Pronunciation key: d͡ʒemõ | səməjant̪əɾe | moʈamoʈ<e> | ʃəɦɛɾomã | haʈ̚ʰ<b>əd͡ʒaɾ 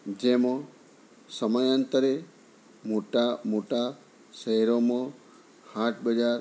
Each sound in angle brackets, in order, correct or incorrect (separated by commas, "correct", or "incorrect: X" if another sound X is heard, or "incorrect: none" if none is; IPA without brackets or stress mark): incorrect: a, correct